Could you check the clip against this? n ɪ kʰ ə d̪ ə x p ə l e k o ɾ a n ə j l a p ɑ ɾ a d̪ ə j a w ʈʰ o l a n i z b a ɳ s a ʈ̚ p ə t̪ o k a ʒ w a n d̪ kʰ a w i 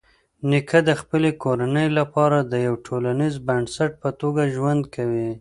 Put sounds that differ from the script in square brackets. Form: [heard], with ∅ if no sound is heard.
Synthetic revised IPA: n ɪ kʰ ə d̪ ə x p ə l e k o ɾ a n ə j l a p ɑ ɾ a d̪ ə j a w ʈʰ o l a n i z b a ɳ s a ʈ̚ p ə t̪ o [ɡ] a ʒ w a n d̪ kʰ a w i